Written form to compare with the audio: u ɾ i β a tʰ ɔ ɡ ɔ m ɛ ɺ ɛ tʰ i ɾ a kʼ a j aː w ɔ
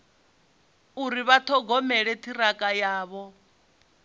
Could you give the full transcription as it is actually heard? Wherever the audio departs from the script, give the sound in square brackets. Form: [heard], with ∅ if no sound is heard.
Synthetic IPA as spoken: u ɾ i β a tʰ ɔ ɡ ɔ m ɛ ɺ ɛ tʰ i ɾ a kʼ a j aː [β] ɔ